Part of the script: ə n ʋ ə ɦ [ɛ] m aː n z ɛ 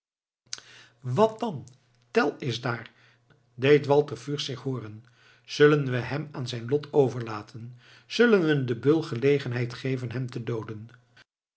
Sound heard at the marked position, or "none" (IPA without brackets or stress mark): ɛ